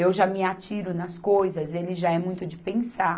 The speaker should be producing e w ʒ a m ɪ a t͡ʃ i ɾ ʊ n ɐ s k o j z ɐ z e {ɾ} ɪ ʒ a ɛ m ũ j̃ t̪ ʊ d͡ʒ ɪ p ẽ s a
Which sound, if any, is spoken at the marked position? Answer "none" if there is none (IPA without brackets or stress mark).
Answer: l